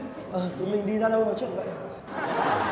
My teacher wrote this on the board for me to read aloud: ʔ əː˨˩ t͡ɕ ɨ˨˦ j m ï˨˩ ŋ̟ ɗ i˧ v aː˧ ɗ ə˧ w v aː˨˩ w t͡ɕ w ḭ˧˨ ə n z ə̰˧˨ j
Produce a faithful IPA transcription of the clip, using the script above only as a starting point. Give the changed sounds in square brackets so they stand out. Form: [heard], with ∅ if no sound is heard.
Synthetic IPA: ʔ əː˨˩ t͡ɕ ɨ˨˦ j m ï˨˩ ŋ̟ ɗ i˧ [z] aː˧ ɗ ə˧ w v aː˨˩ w t͡ɕ w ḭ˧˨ ə n [v] ə̰˧˨ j